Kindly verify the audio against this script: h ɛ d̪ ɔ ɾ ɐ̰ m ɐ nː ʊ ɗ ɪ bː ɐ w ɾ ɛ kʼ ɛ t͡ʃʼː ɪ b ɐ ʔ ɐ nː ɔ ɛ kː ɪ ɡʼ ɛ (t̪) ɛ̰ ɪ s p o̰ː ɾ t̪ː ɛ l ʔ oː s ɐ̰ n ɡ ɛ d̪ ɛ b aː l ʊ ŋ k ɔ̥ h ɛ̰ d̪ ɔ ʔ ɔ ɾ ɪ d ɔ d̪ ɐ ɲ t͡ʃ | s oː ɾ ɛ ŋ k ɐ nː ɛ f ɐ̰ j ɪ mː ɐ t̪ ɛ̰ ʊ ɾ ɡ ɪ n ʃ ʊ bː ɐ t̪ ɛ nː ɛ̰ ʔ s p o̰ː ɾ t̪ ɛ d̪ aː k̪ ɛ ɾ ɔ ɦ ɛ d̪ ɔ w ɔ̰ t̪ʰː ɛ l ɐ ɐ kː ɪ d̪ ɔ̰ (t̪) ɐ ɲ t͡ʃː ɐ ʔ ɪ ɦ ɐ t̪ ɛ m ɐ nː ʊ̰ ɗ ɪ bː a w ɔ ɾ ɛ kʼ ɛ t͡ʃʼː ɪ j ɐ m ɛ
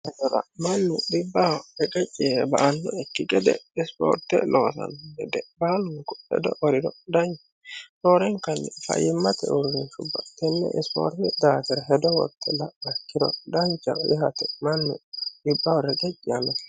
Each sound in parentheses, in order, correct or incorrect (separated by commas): incorrect, incorrect